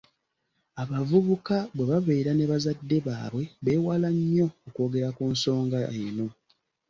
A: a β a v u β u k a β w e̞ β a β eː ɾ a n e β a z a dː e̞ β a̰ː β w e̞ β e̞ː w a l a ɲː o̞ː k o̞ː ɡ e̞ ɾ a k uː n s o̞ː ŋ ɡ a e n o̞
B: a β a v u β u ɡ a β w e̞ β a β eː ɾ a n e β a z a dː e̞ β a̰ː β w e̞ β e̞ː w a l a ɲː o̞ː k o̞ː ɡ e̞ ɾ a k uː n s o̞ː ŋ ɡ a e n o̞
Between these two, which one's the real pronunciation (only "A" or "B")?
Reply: A